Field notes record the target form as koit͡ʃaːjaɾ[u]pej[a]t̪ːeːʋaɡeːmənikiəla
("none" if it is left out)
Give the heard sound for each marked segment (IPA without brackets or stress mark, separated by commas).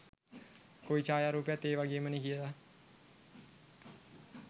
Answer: uː, a